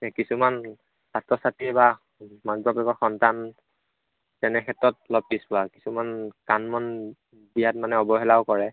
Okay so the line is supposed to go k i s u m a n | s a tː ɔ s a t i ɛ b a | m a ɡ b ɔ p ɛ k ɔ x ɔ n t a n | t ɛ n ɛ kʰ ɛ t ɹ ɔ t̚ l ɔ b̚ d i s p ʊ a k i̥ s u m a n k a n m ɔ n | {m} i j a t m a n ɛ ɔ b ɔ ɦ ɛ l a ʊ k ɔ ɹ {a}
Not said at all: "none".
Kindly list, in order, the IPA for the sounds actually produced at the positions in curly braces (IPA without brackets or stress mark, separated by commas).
b, ɛ